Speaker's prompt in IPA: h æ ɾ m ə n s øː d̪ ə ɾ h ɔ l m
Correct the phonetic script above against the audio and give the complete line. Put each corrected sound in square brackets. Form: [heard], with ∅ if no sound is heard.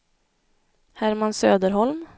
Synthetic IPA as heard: h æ ɾ m [a] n s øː d̪ ə ɾ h ɔ l m